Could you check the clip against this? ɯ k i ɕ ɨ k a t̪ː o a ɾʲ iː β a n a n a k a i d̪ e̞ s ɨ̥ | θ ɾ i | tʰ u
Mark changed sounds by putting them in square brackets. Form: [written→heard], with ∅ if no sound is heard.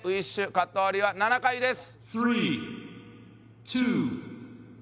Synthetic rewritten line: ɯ [k→∅] i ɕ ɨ k a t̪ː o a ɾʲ [iː→i] β a n a n a k a i d̪ e̞ s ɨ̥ | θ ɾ i | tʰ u